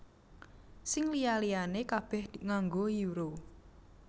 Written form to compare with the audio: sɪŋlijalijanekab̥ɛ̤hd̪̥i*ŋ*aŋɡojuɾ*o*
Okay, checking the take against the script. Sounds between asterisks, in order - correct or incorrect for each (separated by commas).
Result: correct, correct